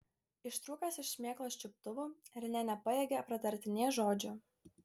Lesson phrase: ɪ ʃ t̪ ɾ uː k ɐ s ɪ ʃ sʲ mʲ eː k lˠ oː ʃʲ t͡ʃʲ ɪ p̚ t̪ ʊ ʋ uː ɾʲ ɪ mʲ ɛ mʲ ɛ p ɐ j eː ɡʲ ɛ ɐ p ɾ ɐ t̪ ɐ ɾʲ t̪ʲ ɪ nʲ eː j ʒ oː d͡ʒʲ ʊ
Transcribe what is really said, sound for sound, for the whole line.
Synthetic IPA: ɪ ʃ t̪ ɾ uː k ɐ s ɪ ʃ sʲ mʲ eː k lˠ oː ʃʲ t͡ʃʲ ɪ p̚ t̪ ʊ ʋ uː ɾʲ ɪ nʲ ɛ nʲ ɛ p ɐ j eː ɡʲ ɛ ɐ p ɾ ɐ t̪ ɐ ɾʲ t̪ʲ ɪ nʲ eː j ʒ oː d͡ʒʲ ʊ